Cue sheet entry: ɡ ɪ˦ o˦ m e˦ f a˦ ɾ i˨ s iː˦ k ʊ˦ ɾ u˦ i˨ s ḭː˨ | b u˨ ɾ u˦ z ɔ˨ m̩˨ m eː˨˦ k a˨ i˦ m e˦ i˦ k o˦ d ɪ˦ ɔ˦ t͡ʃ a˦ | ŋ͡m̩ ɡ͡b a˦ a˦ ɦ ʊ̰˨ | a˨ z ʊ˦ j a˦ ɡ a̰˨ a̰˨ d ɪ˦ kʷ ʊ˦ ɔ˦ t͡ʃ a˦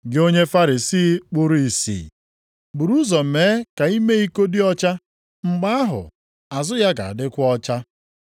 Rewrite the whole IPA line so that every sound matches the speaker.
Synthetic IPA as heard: ɡ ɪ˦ o˦ ɲ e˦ f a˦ ɾ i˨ s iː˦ k͡p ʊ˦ ɾ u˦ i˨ s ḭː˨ | b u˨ ɾ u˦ z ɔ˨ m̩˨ m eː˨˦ k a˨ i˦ m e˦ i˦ k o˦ d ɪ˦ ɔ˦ t͡ʃ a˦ | ŋ͡m̩ ɡ͡b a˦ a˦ ɦ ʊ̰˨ | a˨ z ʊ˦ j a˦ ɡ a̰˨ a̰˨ d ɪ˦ kʷ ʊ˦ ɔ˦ t͡ʃ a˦